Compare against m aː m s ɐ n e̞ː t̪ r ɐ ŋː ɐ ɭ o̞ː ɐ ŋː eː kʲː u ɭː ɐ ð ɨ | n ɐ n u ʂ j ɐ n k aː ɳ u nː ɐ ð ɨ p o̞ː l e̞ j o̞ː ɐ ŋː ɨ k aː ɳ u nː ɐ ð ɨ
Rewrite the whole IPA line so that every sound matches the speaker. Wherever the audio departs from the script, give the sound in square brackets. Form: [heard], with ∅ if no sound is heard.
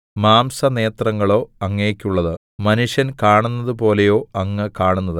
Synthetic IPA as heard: m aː m s ɐ n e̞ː t̪ r ɐ ŋː ɐ ɭ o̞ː ɐ ŋː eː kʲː u ɭː ɐ ð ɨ | [m] ɐ n u ʂ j ɐ n k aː ɳ u nː ɐ ð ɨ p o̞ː l e̞ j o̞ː ɐ ŋː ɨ k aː ɳ u nː ɐ ð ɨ